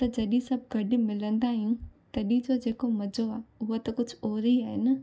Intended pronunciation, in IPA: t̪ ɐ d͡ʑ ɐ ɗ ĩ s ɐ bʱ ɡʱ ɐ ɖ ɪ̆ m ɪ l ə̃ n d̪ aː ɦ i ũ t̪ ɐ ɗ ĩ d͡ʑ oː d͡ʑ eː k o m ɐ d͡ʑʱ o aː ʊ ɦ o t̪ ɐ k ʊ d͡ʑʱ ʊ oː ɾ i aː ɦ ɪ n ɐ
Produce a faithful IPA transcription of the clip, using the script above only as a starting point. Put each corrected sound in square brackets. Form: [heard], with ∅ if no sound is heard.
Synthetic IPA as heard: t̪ ɐ d͡ʑ ɐ ɗ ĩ s ɐ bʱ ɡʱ ɐ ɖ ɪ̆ m ɪ l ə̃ n d̪ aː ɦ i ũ t̪ ɐ ɗ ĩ d͡ʑ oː d͡ʑ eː k o m ɐ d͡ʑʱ o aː ʊ ɦ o t̪ ɐ k ʊ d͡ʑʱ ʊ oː ɾ i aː ɦ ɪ n ɐ